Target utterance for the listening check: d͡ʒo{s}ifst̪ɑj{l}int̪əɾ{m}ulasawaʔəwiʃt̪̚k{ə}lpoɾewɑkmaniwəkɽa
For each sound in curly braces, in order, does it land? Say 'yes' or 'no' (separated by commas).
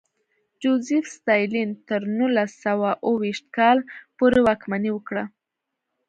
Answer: no, yes, no, no